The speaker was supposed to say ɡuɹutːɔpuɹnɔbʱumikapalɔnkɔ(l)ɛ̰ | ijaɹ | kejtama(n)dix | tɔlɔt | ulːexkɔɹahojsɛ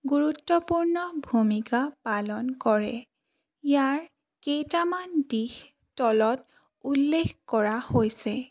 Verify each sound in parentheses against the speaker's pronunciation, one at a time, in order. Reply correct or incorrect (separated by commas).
incorrect, correct